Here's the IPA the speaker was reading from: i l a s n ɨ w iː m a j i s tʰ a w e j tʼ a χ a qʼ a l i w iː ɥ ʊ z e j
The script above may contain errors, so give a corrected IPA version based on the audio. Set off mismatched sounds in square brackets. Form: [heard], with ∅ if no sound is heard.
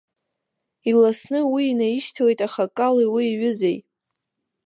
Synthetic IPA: i l a s n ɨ w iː [n] a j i [ʃ] tʰ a w e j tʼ a χ a [kʼ] a l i w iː ɥ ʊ z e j